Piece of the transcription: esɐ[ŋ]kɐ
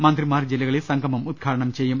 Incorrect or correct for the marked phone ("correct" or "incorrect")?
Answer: correct